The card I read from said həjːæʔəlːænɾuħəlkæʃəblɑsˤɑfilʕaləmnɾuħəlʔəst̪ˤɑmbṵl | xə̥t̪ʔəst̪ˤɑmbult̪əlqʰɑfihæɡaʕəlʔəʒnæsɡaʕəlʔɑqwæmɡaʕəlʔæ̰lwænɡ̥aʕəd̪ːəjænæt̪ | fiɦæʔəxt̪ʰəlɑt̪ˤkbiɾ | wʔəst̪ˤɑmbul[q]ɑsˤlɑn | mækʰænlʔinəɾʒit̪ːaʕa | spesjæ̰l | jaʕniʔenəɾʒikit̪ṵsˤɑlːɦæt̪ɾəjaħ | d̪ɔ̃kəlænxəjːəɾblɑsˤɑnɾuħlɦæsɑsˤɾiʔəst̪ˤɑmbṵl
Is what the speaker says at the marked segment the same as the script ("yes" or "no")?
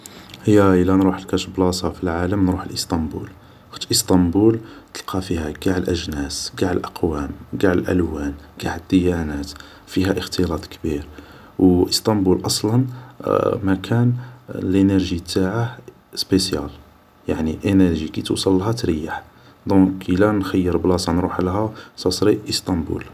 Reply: no